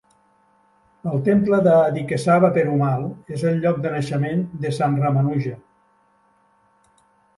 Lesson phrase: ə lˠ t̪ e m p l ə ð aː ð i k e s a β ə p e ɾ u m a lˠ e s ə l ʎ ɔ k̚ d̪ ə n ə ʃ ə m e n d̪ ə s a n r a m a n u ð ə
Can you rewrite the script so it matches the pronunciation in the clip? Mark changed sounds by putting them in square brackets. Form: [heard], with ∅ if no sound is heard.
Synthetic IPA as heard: ə lˠ t̪ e m p l ə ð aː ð i k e s a β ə p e ɾ u m a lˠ e [z] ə l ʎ ɔ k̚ d̪ ə n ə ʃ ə m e n d̪ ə s a n r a m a n u [ʒ] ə